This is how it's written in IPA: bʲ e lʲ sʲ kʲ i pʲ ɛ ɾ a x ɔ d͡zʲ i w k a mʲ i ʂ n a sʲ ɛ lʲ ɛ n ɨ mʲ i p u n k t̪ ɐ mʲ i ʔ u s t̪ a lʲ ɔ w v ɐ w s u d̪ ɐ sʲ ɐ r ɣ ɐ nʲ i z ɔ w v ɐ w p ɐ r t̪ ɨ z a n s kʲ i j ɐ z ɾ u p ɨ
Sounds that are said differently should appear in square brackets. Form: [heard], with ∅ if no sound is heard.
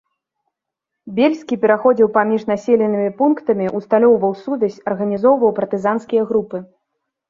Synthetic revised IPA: bʲ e lʲ sʲ kʲ i pʲ ɛ ɾ a x ɔ d͡zʲ i w [p] a mʲ i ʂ n a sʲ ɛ lʲ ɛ n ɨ mʲ i p u n k t̪ ɐ mʲ i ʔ u s t̪ a lʲ ɔ w v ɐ w s u d̪ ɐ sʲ ɐ r ɣ ɐ nʲ i z ɔ w v ɐ w p ɐ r t̪ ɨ z a n s kʲ i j ɐ [ɣ] ɾ u p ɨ